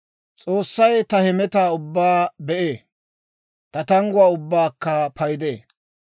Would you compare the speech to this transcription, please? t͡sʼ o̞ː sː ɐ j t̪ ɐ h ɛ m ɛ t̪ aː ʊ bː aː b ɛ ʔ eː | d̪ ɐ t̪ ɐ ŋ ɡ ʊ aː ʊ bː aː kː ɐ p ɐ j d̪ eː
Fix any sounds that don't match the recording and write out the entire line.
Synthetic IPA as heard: t͡sʼ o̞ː sː ɐ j t̪ ɐ h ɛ m ɛ t̪ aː ʊ bː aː b ɛ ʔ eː | t̪ ɐ t̪ ɐ ŋ ɡ ʊ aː ʊ bː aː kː ɐ p ɐ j d̪ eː